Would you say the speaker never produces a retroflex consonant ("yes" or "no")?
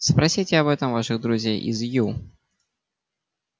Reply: no